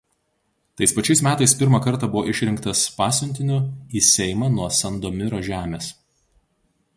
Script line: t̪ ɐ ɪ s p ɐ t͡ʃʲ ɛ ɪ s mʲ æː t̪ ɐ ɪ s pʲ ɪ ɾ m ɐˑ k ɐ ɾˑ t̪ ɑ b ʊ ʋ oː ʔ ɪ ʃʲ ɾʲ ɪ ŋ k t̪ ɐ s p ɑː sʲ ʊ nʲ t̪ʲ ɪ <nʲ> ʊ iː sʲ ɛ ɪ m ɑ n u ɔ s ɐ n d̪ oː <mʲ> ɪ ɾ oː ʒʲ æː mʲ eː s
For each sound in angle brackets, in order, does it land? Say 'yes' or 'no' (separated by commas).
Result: yes, yes